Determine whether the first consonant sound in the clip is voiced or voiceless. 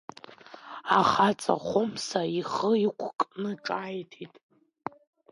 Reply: voiceless